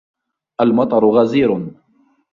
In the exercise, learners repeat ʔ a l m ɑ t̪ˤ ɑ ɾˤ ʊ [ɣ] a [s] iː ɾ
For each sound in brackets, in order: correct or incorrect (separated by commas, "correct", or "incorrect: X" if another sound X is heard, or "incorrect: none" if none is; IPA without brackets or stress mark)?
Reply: correct, incorrect: z